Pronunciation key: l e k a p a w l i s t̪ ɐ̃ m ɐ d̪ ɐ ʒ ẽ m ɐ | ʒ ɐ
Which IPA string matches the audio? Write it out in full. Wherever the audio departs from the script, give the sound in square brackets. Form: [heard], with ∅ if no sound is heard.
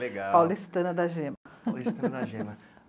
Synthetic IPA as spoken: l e [ɡ] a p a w l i s t̪ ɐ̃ [n] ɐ d̪ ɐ ʒ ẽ m ɐ | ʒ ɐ

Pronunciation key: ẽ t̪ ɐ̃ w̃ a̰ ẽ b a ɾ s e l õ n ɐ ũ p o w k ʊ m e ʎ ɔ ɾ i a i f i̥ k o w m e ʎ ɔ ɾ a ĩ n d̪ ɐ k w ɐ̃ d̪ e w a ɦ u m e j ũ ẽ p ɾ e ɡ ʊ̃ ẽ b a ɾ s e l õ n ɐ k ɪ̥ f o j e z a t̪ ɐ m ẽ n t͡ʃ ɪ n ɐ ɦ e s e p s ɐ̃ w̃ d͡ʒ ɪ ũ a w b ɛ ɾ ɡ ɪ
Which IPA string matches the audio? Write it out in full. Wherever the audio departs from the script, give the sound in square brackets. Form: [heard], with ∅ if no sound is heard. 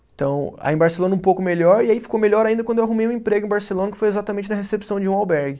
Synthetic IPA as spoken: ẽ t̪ ɐ̃ w̃ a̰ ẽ b a ɾ s e l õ n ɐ ũ p o w k ʊ m e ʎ ɔ ɾ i a i f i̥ k o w m e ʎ ɔ ɾ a ĩ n d̪ ɐ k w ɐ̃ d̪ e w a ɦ u m e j ũ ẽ p ɾ e ɡ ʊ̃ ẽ b a ɾ s e l õ n ɐ k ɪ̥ f o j e z a t̪ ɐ m ẽ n t͡ʃ ɪ n ɐ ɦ e s e p s ɐ̃ w̃ d͡ʒ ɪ ũ a w b ɛ ɾ ɡ ɪ

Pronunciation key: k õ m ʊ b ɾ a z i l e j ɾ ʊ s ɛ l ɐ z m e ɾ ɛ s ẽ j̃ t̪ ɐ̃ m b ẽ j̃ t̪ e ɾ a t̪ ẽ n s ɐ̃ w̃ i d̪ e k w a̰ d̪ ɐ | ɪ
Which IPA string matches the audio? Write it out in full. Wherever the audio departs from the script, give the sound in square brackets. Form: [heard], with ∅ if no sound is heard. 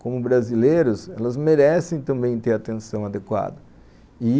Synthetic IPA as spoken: k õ m ʊ b ɾ a z i l e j ɾ ʊ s ɛ l ɐ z m e ɾ ɛ s ẽ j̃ t̪ ɐ̃ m b ẽ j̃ t̪ e ɾ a t̪ ẽ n s ɐ̃ w̃ [a] d̪ e k w a̰ d̪ ɐ | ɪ

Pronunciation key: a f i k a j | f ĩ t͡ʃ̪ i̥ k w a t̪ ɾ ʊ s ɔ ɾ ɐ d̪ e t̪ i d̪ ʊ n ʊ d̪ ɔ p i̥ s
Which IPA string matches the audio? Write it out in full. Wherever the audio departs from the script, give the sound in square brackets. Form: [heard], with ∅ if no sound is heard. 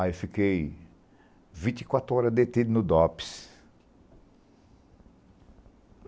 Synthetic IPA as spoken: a f i k [e] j | [v] ĩ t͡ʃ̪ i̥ k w a t̪ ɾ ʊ [∅] ɔ ɾ ɐ d̪ e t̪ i d̪ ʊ n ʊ d̪ ɔ p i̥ s

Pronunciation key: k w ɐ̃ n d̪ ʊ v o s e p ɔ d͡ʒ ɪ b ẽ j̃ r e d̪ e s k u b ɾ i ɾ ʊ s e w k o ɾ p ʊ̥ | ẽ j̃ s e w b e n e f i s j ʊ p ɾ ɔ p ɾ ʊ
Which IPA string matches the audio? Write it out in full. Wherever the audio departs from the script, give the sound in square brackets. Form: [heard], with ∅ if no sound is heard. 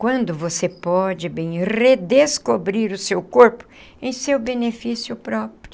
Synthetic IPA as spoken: k w ɐ̃ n d̪ ʊ v o s e p ɔ d͡ʒ ɪ b ẽ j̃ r e d̪ e s k [o] b ɾ i ɾ ʊ s e w k o ɾ p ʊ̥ | ẽ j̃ s e w b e n e f i s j ʊ p ɾ ɔ p ɾ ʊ

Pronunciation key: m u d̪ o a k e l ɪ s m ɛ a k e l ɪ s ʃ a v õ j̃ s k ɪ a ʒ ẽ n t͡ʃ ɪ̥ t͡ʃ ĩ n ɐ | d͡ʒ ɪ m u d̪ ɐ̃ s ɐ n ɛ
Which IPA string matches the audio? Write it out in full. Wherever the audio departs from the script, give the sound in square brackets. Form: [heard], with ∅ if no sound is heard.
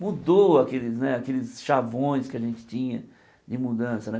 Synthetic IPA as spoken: m u d̪ o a k e l ɪ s [n] ɛ a k e l ɪ s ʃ a v õ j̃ s k ɪ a ʒ ẽ n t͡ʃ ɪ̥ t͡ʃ ĩ [ɲ] ɐ | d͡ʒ ɪ m u d̪ ɐ̃ s ɐ n ɛ

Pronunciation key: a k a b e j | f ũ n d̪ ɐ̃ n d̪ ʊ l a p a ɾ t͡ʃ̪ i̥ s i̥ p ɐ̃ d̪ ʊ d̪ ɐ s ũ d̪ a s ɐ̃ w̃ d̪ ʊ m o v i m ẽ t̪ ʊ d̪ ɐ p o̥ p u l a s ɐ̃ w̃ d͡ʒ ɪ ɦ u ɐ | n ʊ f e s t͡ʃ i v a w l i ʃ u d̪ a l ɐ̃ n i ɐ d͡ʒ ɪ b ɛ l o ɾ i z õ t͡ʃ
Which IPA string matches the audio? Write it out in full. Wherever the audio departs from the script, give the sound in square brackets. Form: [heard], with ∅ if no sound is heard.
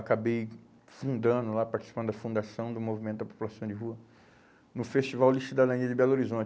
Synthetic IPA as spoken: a k a b e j | f ũ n d̪ ɐ̃ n d̪ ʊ l a p a ɾ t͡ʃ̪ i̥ s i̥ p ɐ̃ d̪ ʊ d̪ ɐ [f] ũ d̪ a s ɐ̃ w̃ d̪ ʊ m o v i m ẽ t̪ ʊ d̪ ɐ p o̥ p u l a s ɐ̃ w̃ d͡ʒ ɪ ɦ u ɐ | n ʊ f e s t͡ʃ i v a w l i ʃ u d̪ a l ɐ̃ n i ɐ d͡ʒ ɪ b ɛ l o ɾ i z õ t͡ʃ

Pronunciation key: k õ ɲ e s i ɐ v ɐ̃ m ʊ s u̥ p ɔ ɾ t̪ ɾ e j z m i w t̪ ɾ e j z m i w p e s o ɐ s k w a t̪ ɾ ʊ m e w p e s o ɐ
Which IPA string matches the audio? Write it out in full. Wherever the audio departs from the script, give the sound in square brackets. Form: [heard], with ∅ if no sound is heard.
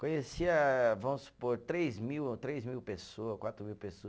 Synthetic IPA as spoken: k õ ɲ e s i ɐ v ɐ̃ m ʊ s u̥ p [o] ɾ t̪ ɾ e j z m i w t̪ ɾ e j z m i w p e s o ɐ s k w a t̪ ɾ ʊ m [i] w p e s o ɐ

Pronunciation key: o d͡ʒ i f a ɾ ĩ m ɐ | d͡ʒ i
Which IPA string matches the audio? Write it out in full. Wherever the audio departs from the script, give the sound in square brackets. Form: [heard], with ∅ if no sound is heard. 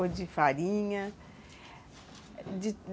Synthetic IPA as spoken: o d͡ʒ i f a ɾ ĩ [ɲ] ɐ | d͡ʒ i

